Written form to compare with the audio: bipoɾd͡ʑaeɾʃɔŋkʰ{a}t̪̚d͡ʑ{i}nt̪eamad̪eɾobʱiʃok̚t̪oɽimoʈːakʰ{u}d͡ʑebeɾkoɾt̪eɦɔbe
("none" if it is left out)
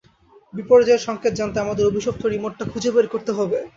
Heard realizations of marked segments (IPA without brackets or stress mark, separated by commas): e, a, u